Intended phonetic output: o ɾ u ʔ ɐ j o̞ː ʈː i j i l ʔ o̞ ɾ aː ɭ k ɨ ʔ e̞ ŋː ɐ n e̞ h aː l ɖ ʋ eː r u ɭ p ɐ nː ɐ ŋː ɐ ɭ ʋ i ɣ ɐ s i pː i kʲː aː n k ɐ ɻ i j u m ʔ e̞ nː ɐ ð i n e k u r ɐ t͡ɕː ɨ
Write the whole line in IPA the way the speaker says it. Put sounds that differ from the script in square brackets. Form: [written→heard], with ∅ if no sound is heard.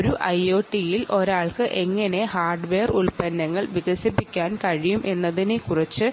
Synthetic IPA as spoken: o ɾ u ʔ ɐ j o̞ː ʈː i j i l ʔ o̞ ɾ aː ɭ k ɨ ʔ e̞ ŋː ɐ n e̞ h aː [l→r] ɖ ʋ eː r u ɭ p ɐ nː ɐ ŋː ɐ ɭ ʋ i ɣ ɐ s i pː i kʲː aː n k ɐ ɻ i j u m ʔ e̞ nː ɐ ð i n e k u r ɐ t͡ɕː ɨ